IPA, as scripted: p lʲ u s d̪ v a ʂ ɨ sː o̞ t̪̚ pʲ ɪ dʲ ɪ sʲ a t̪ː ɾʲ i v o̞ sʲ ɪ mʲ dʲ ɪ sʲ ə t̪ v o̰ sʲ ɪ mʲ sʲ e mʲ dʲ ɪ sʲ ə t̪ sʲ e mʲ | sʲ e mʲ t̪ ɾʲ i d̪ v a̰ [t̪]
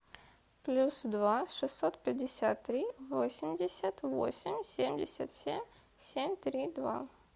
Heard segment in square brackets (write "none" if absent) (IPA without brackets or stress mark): none